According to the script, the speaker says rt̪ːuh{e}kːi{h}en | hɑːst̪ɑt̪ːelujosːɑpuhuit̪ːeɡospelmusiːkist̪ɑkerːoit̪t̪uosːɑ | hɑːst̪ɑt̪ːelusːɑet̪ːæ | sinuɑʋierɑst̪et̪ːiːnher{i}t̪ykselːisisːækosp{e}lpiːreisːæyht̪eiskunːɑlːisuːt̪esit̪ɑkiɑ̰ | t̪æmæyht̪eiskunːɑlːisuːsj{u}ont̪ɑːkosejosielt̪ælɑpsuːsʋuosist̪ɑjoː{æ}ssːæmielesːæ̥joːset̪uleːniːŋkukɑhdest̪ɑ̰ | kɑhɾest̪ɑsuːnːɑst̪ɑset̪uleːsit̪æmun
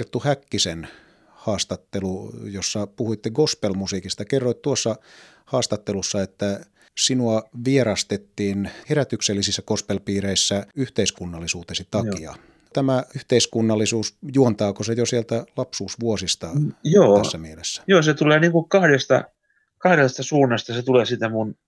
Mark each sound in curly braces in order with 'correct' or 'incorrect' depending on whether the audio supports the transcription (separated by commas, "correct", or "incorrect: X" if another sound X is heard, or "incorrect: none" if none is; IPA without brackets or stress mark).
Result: incorrect: æ, incorrect: s, incorrect: æ, correct, correct, correct